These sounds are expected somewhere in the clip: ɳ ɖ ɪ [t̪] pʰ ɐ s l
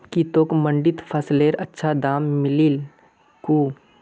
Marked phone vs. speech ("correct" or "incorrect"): correct